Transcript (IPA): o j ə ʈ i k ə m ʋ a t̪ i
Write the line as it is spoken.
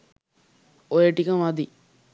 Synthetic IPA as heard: o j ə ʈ i k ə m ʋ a d̪ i